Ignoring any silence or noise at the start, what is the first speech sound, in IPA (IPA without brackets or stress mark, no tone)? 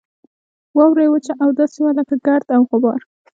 w